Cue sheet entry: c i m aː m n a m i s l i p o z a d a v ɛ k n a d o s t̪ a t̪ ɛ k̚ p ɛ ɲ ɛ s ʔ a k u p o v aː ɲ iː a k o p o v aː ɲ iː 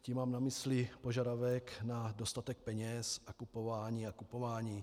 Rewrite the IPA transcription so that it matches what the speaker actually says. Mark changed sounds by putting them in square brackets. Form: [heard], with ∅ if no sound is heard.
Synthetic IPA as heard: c i m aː m n a m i s l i p o [ʒ] a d a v ɛ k n a d o s t̪ a t̪ ɛ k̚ p ɛ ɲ ɛ s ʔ a k u p o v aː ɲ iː a k [u] p o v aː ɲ iː

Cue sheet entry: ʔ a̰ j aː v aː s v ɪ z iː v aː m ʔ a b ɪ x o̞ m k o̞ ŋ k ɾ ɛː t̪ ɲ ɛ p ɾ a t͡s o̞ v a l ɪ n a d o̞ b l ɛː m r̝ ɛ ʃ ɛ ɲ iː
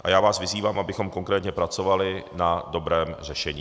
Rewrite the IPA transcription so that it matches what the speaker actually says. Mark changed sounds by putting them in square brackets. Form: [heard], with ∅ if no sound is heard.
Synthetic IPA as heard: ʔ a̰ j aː v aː s v ɪ z iː v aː m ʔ a b ɪ x o̞ m k o̞ ŋ k ɾ ɛː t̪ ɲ ɛ p ɾ a t͡s o̞ v a l ɪ n a d o̞ b [ɾ] ɛː m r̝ ɛ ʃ ɛ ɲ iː

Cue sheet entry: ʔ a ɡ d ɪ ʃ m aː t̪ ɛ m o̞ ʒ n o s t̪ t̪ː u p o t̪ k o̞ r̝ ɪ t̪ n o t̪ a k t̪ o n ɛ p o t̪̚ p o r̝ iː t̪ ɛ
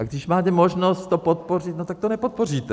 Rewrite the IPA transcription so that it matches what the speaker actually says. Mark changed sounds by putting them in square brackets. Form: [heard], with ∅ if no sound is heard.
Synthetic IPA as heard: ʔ a ɡ d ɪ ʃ m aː t̪ ɛ m o̞ ʒ n o s t̪ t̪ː [o] p o t̪ [p] o̞ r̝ ɪ t̪ n o t̪ a k t̪ o n ɛ p o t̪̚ p o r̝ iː t̪ ɛ

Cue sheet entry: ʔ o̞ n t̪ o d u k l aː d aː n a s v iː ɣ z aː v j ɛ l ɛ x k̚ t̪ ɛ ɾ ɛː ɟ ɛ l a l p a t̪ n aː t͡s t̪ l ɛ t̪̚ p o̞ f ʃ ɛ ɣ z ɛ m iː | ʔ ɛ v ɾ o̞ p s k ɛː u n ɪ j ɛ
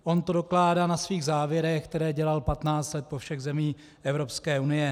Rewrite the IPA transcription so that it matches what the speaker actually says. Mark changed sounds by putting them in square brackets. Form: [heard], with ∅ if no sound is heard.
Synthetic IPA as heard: ʔ o̞ n t̪ o d [o] k l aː d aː n a s v iː ɣ z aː v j ɛ [ɾ] ɛ x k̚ t̪ ɛ ɾ ɛː ɟ ɛ l a l p a t̪ n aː t͡s t̪ l ɛ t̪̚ p o̞ f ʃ ɛ ɣ z ɛ m iː | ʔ ɛ v ɾ o̞ p s k ɛː u n ɪ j ɛ

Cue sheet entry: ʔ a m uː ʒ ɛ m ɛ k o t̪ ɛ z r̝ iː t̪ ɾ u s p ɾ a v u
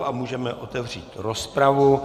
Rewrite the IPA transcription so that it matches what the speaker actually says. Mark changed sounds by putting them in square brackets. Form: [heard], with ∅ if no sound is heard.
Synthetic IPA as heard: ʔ a m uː ʒ ɛ m ɛ [ʔ] o t̪ ɛ [v] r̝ iː t̪ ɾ [o] s p ɾ a v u

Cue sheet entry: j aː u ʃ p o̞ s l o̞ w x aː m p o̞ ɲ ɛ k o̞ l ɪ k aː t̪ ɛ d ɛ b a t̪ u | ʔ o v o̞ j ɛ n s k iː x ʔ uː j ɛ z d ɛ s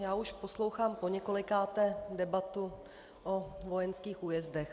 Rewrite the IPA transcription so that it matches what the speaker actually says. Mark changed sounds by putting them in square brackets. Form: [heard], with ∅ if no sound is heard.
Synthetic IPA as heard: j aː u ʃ p o̞ s l o̞ w x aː m p o̞ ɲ ɛ k o̞ l ɪ k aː t̪ ɛ d ɛ b a t̪ u | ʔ o v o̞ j ɛ n s k iː x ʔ uː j ɛ z d ɛ [x]

